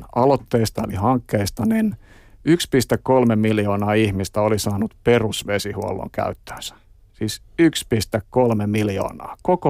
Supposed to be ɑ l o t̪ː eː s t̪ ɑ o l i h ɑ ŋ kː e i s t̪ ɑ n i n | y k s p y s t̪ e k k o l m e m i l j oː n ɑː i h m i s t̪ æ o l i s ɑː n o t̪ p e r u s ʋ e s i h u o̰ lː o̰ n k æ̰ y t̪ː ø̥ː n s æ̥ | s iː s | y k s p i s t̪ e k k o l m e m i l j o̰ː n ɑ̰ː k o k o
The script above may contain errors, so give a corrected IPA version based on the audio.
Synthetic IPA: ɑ l o t̪ː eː s t̪ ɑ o l i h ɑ ŋ kː e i s t̪ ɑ n i n | y k s p i s t̪ e k k o l m e m i l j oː n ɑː i h m i s t̪ æ o l i s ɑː n u t̪ p e r u s ʋ e s i h u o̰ lː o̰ ŋ k æ̰ y t̪ː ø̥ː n s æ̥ | s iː s | y k s p i s t̪ e k k o l m e m i l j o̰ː n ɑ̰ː k o k o